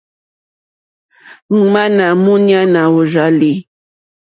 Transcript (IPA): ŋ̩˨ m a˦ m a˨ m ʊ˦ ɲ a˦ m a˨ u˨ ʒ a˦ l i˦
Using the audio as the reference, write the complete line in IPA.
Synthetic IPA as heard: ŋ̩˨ m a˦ n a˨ m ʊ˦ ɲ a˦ n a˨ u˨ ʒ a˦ l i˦